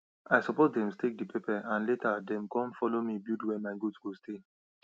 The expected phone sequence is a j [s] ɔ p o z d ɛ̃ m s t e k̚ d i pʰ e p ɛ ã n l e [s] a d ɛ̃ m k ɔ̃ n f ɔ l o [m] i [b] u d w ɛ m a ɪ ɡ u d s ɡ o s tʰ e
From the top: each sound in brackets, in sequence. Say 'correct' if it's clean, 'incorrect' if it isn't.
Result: correct, incorrect: t, correct, correct

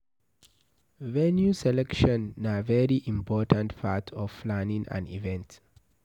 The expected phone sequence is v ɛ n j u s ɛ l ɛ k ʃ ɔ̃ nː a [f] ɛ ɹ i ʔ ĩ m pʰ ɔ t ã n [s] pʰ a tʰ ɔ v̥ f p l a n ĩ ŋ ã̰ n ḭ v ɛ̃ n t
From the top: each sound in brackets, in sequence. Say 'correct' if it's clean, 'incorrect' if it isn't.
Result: incorrect: v, incorrect: t

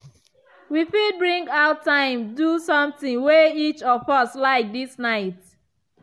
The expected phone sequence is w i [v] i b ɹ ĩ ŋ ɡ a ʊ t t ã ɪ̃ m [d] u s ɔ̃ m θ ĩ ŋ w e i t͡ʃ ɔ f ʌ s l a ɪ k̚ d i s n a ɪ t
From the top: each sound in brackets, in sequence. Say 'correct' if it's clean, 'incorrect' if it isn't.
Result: incorrect: f, correct

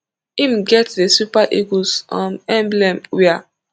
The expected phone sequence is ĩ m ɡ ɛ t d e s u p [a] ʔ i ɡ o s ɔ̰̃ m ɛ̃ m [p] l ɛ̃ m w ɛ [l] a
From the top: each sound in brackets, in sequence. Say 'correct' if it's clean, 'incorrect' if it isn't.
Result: correct, incorrect: b, incorrect: none

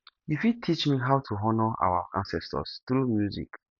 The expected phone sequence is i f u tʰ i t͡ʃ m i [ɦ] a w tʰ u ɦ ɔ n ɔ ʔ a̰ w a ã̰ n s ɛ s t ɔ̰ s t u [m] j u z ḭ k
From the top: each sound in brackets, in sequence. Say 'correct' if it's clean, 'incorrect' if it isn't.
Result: correct, correct

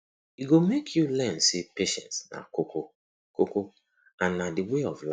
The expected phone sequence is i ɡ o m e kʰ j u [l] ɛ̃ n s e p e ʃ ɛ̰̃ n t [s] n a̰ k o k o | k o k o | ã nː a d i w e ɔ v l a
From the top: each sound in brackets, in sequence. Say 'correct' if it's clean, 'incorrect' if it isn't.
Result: correct, correct

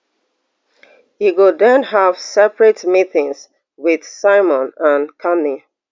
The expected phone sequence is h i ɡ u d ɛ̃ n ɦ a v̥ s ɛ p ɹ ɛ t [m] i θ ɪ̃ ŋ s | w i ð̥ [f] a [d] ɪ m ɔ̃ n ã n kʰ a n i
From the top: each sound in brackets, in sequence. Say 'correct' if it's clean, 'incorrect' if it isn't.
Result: correct, incorrect: s, incorrect: none

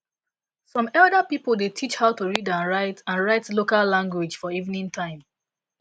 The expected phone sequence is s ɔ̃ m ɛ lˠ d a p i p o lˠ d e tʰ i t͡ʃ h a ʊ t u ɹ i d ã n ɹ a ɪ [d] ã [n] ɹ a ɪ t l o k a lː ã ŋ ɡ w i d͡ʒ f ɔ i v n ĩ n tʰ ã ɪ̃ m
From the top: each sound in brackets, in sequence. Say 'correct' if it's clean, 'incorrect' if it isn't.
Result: incorrect: t, correct

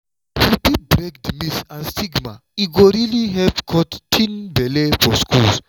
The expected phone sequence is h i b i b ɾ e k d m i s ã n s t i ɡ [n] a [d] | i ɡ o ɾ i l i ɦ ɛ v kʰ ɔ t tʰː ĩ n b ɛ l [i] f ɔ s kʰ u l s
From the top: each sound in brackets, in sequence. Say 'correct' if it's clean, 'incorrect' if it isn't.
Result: incorrect: m, incorrect: none, incorrect: e

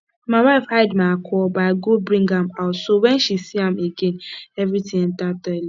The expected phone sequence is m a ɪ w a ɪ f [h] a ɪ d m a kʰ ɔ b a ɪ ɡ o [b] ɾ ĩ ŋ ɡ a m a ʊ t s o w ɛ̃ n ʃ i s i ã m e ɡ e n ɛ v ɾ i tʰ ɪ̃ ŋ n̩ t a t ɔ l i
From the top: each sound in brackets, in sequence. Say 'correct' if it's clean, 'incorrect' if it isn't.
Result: correct, correct

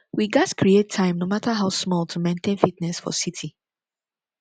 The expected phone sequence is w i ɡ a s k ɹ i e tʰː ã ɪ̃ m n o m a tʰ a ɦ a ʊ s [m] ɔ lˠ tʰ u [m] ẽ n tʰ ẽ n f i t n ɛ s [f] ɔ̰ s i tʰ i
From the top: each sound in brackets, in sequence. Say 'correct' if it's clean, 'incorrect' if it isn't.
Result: correct, correct, correct

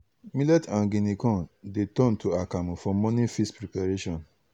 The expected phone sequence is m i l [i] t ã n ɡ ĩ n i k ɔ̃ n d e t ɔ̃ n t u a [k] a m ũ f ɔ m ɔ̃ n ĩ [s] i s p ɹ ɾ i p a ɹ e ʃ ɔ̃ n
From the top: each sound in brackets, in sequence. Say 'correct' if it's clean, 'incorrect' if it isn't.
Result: incorrect: ɛ, correct, incorrect: f

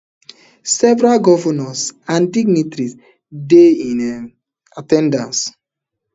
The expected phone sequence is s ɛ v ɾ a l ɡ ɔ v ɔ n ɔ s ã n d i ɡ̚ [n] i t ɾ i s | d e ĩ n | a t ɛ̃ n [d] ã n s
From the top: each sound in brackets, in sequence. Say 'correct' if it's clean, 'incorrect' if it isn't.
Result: correct, correct

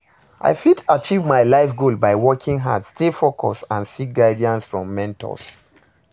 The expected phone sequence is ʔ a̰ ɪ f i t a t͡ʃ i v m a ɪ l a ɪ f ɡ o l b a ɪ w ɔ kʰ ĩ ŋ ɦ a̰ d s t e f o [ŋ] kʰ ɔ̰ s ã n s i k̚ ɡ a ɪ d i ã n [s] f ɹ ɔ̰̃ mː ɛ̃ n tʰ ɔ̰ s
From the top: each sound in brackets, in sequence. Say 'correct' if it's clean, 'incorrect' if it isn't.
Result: incorrect: none, correct

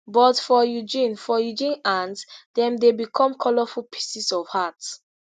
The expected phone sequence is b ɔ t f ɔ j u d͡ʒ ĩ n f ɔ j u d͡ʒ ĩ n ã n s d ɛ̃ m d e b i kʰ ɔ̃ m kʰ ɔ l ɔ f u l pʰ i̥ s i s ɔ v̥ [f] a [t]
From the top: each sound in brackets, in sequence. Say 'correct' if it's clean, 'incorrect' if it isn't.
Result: incorrect: h, correct

